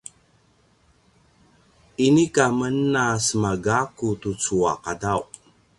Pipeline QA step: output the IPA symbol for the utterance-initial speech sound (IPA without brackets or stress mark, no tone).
i